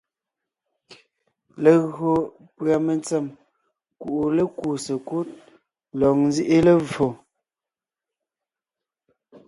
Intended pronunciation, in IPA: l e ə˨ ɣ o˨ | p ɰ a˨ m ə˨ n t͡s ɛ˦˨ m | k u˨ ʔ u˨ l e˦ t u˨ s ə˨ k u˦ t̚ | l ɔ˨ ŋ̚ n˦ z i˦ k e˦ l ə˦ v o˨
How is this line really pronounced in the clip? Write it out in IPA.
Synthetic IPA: l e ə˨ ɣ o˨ | p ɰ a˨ m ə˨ n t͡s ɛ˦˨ m | k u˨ ʔ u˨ l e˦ k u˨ s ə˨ k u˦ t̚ | l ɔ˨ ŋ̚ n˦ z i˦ ʔ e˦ l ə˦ v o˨